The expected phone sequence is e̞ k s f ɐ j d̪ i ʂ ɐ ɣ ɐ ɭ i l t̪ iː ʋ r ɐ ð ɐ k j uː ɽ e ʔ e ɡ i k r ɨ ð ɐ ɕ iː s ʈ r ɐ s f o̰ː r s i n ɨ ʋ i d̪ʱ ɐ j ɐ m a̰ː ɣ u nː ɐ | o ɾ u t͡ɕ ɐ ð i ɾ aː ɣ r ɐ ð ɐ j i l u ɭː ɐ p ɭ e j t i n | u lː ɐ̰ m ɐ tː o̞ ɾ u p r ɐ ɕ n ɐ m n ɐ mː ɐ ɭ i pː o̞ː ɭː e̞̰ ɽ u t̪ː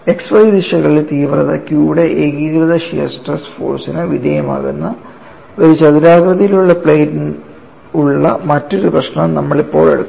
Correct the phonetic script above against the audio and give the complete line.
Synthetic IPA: e̞ k s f ɐ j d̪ i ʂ ɐ ɣ ɐ ɭ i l t̪ iː ʋ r ɐ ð ɐ k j uː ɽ e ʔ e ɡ i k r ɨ ð ɐ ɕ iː s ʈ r ɐ s f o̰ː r s i n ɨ ʋ i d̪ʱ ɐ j ɐ m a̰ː ɣ u nː ɐ | o ɾ u t͡ɕ ɐ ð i ɾ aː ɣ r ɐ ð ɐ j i l u ɭː ɐ p ɭ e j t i n | u ɭː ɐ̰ m ɐ tː o̞ ɾ u p r ɐ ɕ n ɐ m n ɐ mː ɐ ɭ i pː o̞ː ɭ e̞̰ ɽ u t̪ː